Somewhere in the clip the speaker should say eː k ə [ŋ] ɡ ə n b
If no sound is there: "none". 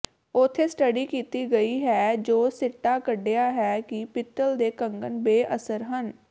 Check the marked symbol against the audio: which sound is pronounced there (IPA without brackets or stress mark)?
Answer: ŋ